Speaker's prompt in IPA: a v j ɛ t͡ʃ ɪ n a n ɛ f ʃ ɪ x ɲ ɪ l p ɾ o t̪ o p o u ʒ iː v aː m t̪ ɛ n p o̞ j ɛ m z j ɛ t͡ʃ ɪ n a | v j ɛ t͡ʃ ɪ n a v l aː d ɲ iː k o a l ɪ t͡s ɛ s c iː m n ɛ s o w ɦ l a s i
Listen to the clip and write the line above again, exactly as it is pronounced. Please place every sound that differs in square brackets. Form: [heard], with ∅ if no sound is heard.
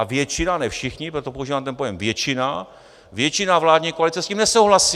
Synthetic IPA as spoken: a v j ɛ t͡ʃ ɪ n a n ɛ f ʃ ɪ x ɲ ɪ [∅] p ɾ o t̪ o p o u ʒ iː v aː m t̪ ɛ n p o̞ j ɛ m [v] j ɛ t͡ʃ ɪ n a | v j ɛ t͡ʃ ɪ n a v l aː d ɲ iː k o a l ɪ t͡s ɛ s c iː m n ɛ s o w ɦ l a s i